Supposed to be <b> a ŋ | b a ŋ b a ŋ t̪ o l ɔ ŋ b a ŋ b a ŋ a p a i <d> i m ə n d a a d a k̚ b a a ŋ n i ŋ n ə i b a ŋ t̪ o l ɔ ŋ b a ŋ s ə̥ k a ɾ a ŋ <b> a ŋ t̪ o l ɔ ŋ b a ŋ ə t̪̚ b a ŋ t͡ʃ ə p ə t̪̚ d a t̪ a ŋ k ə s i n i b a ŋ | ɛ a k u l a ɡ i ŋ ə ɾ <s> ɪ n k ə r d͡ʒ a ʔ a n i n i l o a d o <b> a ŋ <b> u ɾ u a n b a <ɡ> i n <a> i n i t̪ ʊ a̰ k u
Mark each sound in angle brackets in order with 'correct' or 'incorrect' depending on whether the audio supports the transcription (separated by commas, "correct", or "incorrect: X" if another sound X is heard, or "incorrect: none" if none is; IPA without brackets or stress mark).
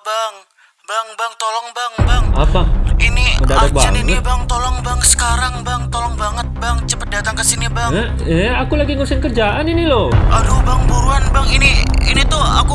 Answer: correct, incorrect: n, correct, correct, correct, correct, incorrect: ŋ, incorrect: i